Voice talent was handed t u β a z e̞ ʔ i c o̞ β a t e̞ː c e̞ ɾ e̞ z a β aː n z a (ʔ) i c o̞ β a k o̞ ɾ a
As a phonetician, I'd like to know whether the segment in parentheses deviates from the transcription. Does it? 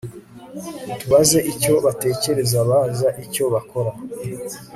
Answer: no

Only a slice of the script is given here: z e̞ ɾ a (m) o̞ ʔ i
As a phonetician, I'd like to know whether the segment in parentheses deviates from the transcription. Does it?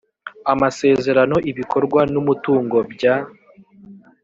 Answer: yes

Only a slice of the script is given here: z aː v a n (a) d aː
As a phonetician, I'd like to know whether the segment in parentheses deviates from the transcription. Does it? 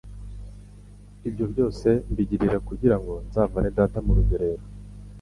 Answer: yes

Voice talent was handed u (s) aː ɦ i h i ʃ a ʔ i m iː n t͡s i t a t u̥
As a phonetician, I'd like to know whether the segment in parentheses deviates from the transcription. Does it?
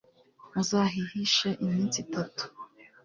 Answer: yes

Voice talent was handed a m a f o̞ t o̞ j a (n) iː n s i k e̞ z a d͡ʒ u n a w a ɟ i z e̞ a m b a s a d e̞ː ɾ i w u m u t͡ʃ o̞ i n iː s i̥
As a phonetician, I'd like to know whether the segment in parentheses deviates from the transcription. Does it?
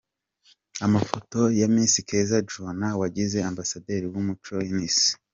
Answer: yes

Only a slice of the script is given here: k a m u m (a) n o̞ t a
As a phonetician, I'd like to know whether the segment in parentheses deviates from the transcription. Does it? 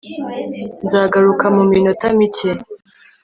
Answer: yes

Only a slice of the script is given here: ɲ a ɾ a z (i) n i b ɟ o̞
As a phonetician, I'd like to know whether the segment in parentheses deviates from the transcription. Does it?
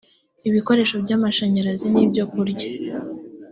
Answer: no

